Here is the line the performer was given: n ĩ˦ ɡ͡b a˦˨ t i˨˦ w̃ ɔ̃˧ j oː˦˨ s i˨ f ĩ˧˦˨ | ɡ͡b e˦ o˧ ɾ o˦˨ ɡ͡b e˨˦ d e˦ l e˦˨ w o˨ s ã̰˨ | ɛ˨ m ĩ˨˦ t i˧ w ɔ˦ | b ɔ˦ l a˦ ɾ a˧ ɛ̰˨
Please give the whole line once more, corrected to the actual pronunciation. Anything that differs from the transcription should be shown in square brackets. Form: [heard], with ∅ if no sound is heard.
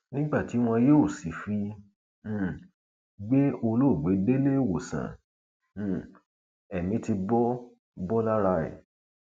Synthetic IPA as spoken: n ĩ˦ ɡ͡b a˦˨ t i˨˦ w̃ ɔ̃˧ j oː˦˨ s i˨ f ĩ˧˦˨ | ɡ͡b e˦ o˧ [l] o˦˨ ɡ͡b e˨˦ d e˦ l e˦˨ w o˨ s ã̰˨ | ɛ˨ m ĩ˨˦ t i˧ [b] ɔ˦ | b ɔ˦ l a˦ ɾ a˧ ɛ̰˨

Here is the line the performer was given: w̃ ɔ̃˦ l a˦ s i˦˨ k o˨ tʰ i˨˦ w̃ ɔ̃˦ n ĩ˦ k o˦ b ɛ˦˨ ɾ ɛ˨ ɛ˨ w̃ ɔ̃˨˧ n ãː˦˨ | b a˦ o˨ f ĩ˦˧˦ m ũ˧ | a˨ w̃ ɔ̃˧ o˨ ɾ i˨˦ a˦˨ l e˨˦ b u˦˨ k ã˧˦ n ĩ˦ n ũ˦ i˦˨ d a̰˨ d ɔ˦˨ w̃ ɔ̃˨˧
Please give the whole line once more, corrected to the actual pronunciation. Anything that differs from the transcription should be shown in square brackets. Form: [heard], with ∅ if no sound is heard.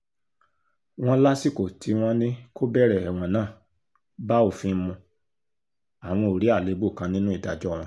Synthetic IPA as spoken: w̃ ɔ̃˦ l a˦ s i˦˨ k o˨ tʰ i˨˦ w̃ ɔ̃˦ n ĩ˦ k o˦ b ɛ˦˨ ɾ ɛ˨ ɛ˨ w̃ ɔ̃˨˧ n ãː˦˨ | b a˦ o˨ f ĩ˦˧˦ m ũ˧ | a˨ w̃ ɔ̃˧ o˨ ɾ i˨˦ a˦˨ l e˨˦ b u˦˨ k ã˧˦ n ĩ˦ n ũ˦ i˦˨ d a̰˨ [d͡ʒ] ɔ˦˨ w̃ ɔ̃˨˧

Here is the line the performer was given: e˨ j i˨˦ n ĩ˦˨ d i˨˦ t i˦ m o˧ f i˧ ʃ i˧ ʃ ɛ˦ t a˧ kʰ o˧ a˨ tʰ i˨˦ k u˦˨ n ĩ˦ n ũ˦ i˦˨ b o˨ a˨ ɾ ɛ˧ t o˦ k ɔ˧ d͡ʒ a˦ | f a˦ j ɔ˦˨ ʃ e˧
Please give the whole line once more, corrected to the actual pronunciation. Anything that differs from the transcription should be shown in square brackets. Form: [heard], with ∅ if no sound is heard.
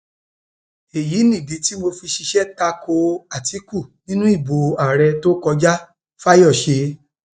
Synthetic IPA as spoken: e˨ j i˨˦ n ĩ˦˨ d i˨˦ t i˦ m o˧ f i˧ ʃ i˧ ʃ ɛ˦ t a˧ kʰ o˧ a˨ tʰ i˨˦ k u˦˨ n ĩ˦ n ũ˦ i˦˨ b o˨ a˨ ɾ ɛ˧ t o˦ k ɔ˧ d͡ʒ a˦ | f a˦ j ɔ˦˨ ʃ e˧

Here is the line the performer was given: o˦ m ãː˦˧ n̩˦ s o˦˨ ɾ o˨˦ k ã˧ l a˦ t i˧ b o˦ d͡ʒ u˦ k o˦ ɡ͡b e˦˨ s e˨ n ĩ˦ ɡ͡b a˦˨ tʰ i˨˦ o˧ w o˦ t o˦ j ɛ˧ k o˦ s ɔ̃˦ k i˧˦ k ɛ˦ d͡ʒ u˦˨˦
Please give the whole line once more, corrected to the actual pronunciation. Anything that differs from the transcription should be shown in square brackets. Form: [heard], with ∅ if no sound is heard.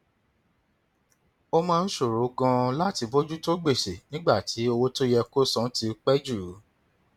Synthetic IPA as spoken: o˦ m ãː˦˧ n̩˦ [ʃ] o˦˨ ɾ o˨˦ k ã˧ l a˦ t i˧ b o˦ d͡ʒ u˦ [t] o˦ ɡ͡b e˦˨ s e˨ n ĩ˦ ɡ͡b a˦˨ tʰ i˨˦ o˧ w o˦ t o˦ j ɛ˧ k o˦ s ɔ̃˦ [t] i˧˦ [k͡p] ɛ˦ d͡ʒ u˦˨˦

